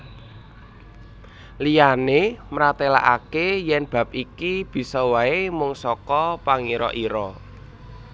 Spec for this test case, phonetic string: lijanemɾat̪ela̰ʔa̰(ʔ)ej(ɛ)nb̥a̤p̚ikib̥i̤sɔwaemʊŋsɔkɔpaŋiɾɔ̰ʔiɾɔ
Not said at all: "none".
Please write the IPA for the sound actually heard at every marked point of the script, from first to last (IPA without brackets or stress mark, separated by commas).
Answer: k, ɛ